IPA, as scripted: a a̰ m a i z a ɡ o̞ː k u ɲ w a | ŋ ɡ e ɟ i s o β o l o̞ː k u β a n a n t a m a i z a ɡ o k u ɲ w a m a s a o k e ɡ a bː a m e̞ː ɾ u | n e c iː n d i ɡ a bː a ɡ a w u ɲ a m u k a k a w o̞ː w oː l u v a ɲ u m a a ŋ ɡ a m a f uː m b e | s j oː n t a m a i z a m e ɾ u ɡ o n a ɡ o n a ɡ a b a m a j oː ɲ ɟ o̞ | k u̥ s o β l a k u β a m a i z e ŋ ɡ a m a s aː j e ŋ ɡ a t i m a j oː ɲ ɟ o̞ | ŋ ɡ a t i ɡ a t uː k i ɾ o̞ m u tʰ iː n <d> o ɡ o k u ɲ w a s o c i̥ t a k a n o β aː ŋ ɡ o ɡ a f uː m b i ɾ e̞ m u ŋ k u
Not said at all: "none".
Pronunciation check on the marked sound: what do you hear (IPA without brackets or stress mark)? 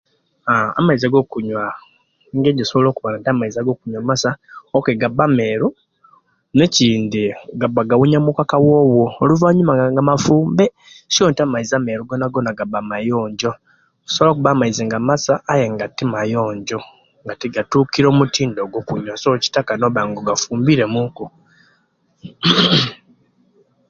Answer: d